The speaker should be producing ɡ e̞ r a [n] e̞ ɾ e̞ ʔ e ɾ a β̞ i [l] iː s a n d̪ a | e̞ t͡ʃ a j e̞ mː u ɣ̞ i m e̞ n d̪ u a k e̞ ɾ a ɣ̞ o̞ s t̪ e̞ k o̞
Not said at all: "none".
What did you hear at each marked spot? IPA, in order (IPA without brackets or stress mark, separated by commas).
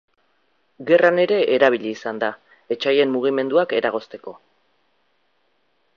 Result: n, ʎ